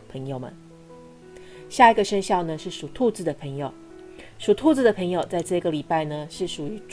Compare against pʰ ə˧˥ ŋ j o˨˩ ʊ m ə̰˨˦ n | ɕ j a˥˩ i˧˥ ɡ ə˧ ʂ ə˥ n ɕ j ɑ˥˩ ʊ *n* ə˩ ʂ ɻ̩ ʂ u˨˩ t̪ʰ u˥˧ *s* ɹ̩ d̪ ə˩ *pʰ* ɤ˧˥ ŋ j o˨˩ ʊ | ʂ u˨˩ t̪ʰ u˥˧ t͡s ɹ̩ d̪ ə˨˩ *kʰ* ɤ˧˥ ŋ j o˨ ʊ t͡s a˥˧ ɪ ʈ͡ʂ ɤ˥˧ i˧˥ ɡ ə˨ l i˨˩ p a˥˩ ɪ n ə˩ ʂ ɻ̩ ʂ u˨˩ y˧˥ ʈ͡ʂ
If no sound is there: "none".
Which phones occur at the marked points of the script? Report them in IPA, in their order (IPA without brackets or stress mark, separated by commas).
n, t͡s, pʰ, pʰ